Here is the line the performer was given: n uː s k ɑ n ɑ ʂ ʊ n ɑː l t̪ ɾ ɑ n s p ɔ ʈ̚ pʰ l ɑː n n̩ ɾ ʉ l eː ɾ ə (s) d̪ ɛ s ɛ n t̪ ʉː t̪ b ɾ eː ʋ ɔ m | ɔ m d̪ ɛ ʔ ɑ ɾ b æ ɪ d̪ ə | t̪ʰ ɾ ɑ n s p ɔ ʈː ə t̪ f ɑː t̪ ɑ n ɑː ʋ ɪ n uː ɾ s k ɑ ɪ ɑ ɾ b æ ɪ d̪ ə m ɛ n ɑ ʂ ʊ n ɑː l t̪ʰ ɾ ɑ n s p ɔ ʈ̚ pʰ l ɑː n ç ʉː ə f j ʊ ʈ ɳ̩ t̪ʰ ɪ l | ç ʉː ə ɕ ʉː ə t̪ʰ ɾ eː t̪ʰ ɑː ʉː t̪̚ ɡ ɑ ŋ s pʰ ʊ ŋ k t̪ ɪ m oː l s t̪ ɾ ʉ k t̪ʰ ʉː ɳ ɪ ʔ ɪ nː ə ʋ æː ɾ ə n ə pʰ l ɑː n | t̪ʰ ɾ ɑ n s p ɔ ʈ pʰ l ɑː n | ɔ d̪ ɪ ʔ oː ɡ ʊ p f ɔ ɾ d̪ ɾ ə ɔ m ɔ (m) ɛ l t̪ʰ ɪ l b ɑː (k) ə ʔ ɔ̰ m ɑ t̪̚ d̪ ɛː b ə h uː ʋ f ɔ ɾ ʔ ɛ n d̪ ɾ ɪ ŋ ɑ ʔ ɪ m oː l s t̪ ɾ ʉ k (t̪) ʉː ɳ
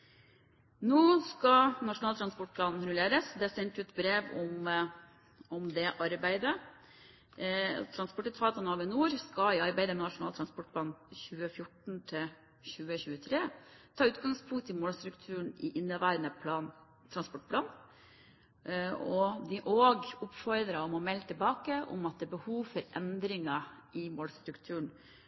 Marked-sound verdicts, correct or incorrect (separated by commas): correct, correct, correct, incorrect